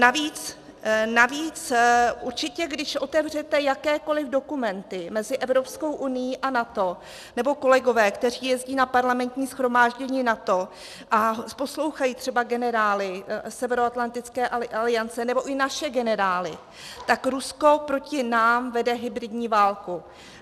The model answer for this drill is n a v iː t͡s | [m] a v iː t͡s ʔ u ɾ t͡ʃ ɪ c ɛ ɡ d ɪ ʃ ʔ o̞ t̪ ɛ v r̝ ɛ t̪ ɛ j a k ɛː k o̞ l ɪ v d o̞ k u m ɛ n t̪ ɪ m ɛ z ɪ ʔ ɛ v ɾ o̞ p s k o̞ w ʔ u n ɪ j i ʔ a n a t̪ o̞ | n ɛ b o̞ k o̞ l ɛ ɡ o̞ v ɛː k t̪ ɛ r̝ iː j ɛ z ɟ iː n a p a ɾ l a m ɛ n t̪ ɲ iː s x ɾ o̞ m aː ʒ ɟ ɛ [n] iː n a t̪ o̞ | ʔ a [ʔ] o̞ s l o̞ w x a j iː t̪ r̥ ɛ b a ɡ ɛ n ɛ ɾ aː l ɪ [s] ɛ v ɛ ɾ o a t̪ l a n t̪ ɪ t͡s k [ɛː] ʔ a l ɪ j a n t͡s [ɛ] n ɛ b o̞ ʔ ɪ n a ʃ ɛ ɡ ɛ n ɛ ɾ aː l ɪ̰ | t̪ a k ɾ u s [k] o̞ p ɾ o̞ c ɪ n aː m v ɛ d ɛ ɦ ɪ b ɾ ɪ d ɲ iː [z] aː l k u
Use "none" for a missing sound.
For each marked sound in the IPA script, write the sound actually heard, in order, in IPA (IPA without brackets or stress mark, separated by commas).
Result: n, ɲ, p, s, ɛː, ɛ, k, v